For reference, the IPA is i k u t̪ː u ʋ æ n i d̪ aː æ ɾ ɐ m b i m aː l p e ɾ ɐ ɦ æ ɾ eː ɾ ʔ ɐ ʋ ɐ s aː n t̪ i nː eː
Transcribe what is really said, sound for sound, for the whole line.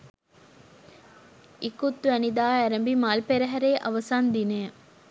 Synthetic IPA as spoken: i k u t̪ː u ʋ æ n i d̪ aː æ ɾ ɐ m b i m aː l p e ɾ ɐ ɦ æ ɾ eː ʔ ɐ ʋ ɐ s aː n d̪ i n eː